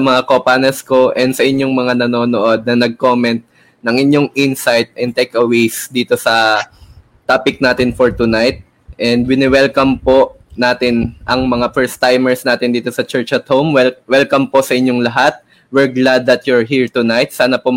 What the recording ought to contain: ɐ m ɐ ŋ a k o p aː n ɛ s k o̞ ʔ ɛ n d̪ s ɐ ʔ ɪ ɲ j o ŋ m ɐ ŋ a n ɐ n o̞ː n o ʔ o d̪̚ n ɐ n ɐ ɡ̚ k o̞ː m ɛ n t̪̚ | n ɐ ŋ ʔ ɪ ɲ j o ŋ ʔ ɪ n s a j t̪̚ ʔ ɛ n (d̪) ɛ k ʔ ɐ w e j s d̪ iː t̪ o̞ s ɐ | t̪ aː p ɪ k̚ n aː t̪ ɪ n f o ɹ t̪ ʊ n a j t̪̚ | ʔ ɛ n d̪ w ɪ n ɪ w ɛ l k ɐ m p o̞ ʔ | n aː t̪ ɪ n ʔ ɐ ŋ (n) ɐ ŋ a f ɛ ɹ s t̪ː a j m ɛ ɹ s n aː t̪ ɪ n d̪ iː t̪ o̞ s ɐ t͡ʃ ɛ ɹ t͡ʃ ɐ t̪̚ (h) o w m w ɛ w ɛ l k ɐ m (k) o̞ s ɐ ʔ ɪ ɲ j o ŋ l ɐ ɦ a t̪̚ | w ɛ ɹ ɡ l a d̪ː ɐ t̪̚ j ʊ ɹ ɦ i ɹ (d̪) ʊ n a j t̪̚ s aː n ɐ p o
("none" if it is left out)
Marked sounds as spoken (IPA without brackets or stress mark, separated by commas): t̪, m, h, p, t̪